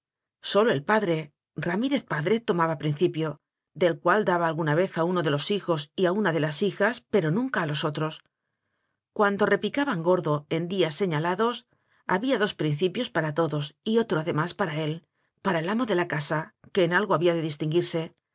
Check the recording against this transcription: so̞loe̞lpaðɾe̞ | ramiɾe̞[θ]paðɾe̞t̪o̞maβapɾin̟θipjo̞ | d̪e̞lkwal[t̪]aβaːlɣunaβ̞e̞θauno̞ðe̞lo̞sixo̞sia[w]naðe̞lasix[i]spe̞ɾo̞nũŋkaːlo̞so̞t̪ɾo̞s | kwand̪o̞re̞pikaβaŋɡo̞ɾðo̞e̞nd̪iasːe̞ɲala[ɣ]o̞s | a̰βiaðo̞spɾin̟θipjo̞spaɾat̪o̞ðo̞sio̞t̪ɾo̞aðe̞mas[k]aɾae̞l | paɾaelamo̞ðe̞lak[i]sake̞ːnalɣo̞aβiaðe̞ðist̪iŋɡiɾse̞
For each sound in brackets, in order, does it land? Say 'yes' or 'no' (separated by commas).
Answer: yes, no, no, no, no, no, no